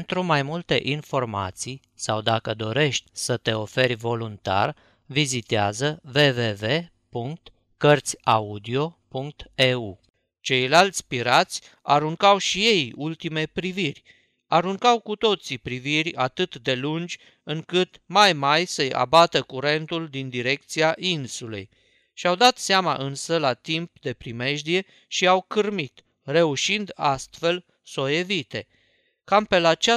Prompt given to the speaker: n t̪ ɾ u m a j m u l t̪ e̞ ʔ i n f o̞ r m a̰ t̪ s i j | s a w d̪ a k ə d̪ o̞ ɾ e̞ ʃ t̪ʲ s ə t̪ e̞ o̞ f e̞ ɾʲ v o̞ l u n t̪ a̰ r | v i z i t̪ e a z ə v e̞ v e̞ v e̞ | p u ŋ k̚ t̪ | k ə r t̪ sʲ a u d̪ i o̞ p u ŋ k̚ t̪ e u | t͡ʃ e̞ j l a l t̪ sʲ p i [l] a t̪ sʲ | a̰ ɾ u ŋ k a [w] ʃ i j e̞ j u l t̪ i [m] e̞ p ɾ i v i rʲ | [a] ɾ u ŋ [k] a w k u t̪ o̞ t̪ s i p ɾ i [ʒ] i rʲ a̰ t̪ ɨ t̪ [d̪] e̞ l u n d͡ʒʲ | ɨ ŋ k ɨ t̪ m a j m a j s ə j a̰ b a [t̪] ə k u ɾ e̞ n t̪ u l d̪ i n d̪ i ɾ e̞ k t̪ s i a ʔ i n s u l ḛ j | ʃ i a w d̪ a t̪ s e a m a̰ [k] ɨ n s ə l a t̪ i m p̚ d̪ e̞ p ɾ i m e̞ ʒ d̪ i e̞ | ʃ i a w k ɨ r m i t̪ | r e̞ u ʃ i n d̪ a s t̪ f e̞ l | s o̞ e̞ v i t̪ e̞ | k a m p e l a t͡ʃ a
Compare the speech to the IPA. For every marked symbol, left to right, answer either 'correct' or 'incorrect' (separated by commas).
incorrect, correct, correct, correct, correct, incorrect, correct, correct, incorrect